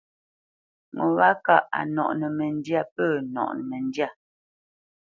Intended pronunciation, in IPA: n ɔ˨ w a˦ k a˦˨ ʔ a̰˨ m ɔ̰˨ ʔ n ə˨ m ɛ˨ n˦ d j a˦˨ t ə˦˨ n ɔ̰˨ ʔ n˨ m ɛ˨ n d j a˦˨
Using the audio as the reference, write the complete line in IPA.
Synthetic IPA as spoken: ŋ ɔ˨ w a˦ k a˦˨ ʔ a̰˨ n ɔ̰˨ ʔ n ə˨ m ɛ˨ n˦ d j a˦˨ p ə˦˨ n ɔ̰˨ ʔ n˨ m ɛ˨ n d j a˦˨